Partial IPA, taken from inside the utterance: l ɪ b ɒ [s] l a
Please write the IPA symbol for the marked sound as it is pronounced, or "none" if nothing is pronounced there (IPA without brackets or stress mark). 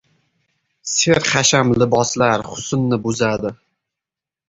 s